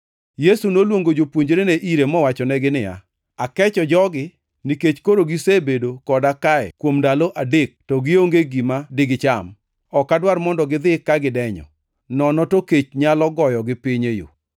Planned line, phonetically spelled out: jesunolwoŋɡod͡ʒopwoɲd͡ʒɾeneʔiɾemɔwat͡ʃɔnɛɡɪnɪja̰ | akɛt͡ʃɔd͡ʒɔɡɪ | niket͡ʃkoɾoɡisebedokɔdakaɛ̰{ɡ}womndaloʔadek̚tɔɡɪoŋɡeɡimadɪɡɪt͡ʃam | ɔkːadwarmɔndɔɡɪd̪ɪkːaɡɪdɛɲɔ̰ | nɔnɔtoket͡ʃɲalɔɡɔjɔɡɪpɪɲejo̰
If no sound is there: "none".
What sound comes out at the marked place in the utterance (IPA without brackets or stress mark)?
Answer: k